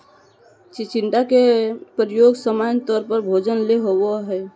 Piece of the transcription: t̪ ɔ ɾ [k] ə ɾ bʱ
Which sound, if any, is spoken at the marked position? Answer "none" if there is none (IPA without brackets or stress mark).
p